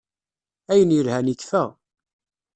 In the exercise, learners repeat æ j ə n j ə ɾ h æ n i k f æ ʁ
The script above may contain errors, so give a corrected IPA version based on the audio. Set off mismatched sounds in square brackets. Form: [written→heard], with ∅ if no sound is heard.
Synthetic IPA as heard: æ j ə n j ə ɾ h æ n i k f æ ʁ

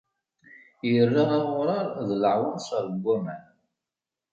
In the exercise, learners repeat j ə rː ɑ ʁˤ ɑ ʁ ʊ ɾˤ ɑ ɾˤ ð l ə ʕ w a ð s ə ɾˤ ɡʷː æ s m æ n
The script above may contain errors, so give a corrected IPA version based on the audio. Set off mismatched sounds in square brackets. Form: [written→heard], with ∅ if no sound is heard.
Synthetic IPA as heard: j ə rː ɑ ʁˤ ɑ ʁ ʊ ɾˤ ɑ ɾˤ ð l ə ʕ w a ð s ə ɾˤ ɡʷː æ [s→∅] m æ n

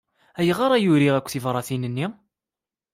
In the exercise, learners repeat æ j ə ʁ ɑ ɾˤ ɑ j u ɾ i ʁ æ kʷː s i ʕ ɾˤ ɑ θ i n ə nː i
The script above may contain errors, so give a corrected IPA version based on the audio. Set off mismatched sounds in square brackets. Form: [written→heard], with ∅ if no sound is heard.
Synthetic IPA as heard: æ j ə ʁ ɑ ɾˤ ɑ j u ɾ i ʁ æ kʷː [s→θ] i [ʕ→v] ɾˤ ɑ θ i n ə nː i

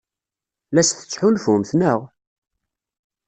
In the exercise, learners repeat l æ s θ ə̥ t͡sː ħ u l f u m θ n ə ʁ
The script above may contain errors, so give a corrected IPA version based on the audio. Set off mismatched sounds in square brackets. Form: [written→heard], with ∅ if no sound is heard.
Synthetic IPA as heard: l æ s θ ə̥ t͡sː ħ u l f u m θ n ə ʁ

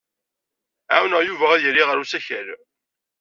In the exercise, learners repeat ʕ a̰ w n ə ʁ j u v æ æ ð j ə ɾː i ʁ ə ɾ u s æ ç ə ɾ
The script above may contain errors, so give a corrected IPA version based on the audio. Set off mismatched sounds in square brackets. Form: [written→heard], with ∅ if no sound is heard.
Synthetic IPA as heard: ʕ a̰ w n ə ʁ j u v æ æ ð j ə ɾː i ʁ ə ɾ u s æ ç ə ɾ

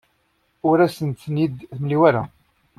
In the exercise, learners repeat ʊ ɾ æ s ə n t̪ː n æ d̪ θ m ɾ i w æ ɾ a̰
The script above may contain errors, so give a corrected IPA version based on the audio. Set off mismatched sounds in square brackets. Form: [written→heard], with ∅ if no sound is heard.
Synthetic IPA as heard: ʊ ɾ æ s ə n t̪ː n [æ→i] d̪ θ m [ɾ→l] i w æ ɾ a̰

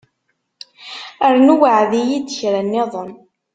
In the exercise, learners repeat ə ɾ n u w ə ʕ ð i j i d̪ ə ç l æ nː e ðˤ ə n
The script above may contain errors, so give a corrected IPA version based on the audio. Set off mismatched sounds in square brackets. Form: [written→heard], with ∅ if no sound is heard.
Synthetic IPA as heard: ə ɾ n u w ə ʕ ð i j i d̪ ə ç [l→ɾ] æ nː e ðˤ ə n

